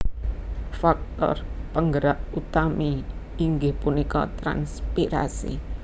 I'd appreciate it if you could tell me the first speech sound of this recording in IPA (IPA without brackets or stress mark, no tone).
f